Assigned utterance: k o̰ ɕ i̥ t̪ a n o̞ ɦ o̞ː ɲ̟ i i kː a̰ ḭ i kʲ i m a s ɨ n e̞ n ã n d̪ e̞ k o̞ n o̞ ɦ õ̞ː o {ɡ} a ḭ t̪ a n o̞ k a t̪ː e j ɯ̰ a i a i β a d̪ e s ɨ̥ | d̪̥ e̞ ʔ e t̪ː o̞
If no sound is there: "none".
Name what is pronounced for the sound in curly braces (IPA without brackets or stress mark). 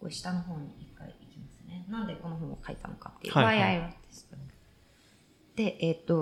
k